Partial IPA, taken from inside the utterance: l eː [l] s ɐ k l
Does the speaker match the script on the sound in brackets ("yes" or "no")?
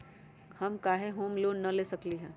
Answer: no